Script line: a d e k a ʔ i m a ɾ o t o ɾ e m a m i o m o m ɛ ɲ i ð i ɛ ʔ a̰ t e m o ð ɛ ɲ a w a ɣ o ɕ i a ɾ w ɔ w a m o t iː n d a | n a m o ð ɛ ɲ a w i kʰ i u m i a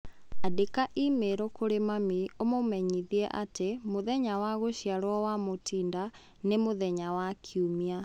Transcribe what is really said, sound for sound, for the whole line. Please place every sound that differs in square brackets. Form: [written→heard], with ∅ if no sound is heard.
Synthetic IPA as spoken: a d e k a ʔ i m [a→e] ɾ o [t→k] o ɾ e m a m i o m o m ɛ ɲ i ð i ɛ ʔ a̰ t e m o ð ɛ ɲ a w a ɣ o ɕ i a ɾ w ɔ w a m o t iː n d a | n [a→e] m o ð ɛ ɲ a w [i→a] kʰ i u m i a